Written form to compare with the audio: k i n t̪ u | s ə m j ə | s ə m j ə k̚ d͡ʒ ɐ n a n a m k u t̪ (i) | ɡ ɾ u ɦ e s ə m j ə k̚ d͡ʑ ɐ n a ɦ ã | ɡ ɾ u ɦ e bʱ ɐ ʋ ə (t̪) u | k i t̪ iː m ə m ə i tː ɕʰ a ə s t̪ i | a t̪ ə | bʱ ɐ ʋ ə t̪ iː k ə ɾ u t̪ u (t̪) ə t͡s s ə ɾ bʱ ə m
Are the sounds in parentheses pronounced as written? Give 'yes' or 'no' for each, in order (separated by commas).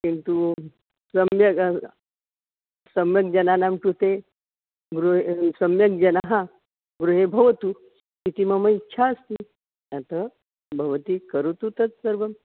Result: no, yes, yes